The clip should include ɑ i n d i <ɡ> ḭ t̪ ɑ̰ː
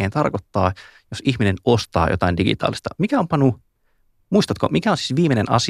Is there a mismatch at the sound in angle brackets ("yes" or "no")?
no